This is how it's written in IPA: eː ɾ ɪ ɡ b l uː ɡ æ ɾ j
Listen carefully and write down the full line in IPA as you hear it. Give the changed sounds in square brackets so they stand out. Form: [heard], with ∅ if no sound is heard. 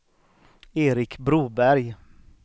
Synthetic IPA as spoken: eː ɾ ɪ [k] b [ɾ] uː [b] æ ɾ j